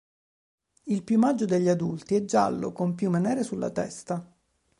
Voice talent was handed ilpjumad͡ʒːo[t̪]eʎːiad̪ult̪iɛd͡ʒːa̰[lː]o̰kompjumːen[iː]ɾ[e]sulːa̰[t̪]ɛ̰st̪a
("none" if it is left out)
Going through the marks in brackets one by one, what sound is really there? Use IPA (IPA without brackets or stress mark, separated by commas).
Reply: d̪, lː, ɛː, e, t̪